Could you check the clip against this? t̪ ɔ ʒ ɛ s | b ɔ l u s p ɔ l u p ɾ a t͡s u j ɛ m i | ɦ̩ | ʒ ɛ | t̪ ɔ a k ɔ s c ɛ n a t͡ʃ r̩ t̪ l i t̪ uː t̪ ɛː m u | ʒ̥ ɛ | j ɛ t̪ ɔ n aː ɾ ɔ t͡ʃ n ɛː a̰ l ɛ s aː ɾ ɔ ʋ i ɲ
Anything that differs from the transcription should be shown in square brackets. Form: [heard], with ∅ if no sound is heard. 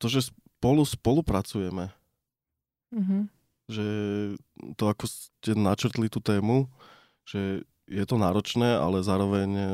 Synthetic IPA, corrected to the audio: t̪ ɔ ʒ ɛ s | [p] ɔ l u s p ɔ l u p ɾ a t͡s u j ɛ m [ɛ] | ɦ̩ | ʒ ɛ | t̪ ɔ a k ɔ s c ɛ n a t͡ʃ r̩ t̪ l i t̪ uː t̪ ɛː m u | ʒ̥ ɛ | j ɛ t̪ ɔ n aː ɾ ɔ t͡ʃ n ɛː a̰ l ɛ [z] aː ɾ ɔ ʋ [ɛ] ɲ